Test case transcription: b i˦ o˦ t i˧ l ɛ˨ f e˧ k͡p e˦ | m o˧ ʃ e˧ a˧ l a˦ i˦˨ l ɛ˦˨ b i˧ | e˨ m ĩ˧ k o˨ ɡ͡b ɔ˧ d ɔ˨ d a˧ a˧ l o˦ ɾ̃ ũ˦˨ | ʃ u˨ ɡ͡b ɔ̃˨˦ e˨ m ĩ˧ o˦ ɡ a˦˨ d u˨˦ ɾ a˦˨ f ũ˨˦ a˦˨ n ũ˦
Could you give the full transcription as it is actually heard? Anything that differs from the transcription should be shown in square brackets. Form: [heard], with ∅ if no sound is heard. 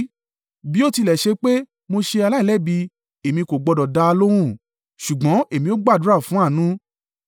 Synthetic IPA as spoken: b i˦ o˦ t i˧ l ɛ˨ [ʃ] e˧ k͡p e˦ | m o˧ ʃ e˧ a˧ l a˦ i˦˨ l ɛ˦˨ b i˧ | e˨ m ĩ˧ k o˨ ɡ͡b ɔ˧ d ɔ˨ d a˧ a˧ l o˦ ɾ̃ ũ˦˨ | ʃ u˨ ɡ͡b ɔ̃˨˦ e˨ m ĩ˧ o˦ [ɡ͡b] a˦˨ d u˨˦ ɾ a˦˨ f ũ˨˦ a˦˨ n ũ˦